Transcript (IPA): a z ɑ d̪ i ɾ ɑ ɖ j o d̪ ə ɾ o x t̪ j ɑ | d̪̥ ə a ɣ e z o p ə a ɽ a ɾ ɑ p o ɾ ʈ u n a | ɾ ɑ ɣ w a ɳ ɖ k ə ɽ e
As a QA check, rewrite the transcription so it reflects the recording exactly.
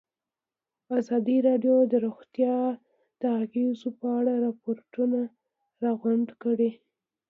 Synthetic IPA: a z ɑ d̪ i ɾ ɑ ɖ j o d̪ ə ɾ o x t̪ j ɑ | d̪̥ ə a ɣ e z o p ə a ɽ a ɾ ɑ p o ɾ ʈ u n a | ɾ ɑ ɣ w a ɳ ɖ k ə ɽ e